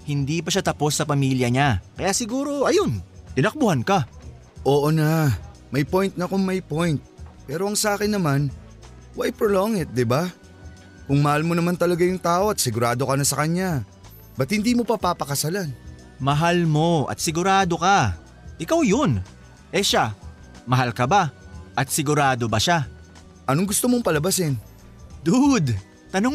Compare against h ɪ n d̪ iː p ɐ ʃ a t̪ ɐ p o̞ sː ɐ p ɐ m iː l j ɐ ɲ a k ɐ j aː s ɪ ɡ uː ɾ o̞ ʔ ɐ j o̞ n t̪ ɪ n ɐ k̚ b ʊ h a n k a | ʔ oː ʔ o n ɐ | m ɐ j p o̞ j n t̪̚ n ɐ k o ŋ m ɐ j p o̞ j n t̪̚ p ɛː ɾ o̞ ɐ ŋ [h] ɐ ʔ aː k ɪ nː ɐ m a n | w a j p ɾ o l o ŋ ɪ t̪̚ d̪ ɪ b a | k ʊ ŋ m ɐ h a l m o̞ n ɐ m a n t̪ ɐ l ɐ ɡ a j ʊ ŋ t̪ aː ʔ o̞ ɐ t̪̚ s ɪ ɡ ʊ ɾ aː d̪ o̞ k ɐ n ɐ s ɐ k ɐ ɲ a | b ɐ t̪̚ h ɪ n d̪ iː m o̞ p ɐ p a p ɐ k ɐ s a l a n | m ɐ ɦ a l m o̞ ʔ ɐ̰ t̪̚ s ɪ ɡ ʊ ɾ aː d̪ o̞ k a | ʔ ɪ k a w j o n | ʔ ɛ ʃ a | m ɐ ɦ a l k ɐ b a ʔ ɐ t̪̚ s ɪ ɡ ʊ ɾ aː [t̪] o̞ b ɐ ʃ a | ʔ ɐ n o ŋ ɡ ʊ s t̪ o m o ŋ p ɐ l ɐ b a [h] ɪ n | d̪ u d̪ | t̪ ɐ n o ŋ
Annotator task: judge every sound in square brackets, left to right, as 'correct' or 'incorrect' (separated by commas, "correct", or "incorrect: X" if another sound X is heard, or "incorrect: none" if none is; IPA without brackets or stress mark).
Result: incorrect: s, incorrect: d̪, incorrect: s